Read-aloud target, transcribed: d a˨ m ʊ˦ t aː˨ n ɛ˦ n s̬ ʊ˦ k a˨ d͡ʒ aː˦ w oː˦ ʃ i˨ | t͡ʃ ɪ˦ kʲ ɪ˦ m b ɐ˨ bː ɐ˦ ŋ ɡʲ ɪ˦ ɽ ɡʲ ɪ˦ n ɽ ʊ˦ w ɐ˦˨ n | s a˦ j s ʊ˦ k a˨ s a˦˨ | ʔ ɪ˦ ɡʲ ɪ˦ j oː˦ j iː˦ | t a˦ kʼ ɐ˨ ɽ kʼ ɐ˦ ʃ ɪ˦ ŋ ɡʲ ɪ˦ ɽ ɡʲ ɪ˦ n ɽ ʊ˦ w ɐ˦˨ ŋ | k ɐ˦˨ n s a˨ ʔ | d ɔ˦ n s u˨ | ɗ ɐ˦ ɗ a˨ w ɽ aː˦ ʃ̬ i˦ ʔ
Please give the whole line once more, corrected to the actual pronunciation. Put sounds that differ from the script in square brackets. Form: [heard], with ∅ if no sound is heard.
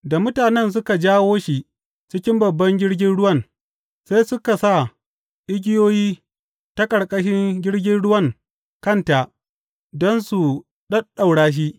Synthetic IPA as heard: d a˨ m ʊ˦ t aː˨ n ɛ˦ n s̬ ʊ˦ k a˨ d͡ʒ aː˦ w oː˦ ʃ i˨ | t͡ʃ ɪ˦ kʲ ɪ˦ m b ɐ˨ bː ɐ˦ ŋ ɡʲ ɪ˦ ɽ ɡʲ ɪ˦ n ɽ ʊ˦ w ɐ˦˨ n | s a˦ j s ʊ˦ k a˨ s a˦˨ | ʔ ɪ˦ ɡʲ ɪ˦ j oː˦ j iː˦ | t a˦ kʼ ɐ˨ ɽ kʼ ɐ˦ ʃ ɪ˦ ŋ ɡʲ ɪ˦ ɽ ɡʲ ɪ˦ n ɽ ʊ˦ w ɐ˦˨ ŋ | k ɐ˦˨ n [t] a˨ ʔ | d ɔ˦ n s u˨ | ɗ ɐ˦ ɗ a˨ w ɽ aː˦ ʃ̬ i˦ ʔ